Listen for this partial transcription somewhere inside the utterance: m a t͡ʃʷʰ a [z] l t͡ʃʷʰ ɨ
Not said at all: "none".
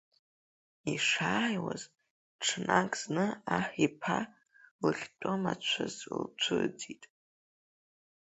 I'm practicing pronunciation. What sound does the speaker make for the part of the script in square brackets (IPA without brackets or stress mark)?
z